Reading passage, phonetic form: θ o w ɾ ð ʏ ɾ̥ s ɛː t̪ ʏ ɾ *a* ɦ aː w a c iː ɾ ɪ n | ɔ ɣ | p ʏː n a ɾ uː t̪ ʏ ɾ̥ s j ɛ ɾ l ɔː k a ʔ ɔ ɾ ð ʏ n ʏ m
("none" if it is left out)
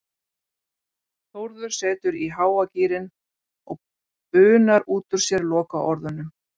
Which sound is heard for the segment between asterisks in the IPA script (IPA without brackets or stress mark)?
i